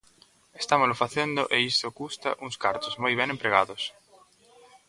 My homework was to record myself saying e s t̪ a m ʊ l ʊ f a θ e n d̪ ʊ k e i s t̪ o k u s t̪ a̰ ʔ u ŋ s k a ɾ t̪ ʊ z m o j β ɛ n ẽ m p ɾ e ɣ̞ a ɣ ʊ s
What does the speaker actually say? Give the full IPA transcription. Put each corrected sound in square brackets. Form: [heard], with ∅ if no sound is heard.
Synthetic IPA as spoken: e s t̪ a m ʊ l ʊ f a θ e n d̪ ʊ [ʔ] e i s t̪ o k u s t̪ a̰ ʔ u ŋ s k a ɾ t̪ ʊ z m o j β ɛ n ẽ m p ɾ e ɣ̞ a [ð] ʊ s